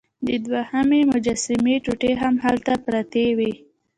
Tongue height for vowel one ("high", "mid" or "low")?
mid